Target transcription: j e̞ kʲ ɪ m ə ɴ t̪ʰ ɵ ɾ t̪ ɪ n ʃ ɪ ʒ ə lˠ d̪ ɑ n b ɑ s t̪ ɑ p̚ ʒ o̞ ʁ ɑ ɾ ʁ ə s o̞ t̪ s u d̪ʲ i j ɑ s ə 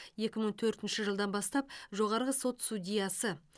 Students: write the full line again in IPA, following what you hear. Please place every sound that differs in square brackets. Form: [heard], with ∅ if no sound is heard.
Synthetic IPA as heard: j e̞ kʲ ɪ m ə ɴ t̪ʰ ɵ ɾ t̪ ɪ n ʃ ɪ ʒ ə lˠ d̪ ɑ n b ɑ s t̪ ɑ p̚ ʒ o̞ ʁ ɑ ɾ ʁ ə s o̞ t̪ s u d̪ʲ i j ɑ s ə